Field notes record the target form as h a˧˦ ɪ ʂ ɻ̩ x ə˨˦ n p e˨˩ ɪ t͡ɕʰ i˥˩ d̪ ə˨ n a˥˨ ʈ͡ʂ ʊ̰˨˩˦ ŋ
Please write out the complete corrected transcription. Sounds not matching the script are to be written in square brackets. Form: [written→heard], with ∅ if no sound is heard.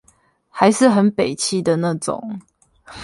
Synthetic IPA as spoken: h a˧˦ ɪ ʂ ɻ̩ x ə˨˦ n p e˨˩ ɪ t͡ɕʰ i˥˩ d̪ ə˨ n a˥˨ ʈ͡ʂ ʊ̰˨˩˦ ŋ